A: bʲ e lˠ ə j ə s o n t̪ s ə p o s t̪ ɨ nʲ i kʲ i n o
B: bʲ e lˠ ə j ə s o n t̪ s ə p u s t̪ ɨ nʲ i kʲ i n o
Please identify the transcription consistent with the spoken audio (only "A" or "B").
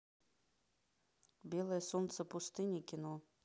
B